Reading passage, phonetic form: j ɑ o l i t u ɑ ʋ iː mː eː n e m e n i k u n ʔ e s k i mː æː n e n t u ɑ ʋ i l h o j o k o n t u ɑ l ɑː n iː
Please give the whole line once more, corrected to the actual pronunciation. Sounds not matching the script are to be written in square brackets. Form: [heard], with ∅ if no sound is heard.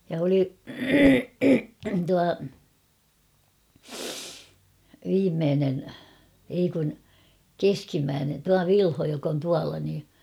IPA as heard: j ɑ o l i t u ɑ ʋ iː mː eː n e [n] e [∅] i k u n [k] e s k i mː æː n e n t u ɑ ʋ i l h o j o k o n t u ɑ l [ɑ] n iː